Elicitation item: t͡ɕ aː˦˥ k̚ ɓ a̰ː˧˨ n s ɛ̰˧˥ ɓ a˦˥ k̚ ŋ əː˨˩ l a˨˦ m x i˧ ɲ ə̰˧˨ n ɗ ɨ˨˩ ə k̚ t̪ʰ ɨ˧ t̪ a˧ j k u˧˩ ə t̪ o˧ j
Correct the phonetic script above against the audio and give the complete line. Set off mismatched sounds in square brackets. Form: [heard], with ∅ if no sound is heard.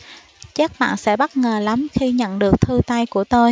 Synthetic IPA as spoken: t͡ɕ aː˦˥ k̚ ɓ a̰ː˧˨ n s ɛ̰˧˥ ɓ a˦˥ [t̚] ŋ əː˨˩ l a˨˦ m x i˧ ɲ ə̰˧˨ n ɗ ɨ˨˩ ə k̚ t̪ʰ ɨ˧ t̪ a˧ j k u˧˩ ə t̪ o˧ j